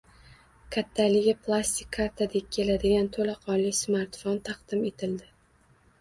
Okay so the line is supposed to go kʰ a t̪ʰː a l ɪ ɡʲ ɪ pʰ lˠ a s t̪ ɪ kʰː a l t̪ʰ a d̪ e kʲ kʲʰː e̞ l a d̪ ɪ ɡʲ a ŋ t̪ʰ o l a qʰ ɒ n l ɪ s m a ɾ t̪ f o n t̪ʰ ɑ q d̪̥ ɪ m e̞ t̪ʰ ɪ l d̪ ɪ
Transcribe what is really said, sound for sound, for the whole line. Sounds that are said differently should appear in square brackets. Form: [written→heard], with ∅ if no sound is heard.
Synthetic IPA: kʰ a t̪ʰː a l ɪ ɡʲ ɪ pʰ lˠ a s t̪ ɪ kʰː a [l→ɾ] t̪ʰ a d̪ e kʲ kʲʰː e̞ l a d̪ ɪ ɡʲ a [ŋ→n] t̪ʰ o l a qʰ ɒ n l ɪ s m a ɾ t̪ f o n t̪ʰ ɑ q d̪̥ ɪ m e̞ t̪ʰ ɪ l d̪ ɪ